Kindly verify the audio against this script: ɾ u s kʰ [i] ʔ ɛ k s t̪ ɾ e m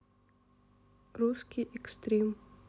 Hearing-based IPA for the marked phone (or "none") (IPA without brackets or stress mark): i